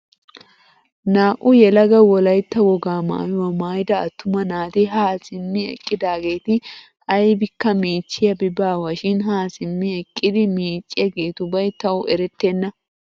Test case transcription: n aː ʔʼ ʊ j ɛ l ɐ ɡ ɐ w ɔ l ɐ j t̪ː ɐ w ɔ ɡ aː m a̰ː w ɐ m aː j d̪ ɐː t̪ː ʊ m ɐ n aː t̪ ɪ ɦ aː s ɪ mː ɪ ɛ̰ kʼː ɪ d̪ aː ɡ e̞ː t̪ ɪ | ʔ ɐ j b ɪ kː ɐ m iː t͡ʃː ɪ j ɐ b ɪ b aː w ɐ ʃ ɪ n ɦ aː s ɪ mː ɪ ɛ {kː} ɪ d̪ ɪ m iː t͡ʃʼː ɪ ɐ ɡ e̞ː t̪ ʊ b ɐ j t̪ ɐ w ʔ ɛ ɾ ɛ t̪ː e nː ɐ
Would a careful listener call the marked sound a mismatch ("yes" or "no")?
yes